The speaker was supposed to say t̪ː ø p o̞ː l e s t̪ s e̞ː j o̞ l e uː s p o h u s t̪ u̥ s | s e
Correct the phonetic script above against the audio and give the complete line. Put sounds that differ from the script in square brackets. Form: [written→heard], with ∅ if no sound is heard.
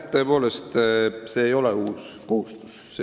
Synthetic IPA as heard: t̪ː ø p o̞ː l e s t̪ s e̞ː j o̞ l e uː s [p→k] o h u s t̪ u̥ s | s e